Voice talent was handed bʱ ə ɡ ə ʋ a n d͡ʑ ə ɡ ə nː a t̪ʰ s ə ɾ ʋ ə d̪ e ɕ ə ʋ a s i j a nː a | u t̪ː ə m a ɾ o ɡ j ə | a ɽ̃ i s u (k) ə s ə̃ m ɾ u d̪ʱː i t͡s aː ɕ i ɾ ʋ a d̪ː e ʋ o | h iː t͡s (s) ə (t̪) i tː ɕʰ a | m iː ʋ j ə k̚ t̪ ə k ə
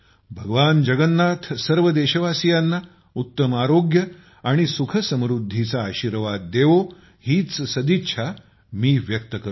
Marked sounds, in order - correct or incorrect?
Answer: incorrect, correct, incorrect

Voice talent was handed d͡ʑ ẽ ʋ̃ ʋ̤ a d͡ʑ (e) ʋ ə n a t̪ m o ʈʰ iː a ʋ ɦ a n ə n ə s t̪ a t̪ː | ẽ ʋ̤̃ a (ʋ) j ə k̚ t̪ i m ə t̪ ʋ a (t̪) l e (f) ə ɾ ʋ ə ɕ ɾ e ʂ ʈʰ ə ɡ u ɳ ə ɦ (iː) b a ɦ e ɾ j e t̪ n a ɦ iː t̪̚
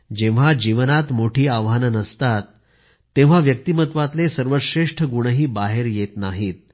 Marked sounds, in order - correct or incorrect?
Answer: incorrect, correct, correct, incorrect, correct

